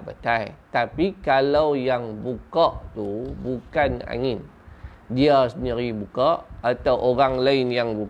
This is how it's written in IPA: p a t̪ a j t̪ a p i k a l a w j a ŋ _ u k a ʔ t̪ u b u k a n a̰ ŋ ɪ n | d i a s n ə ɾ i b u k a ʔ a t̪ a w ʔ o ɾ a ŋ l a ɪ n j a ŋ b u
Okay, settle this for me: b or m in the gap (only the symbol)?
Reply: b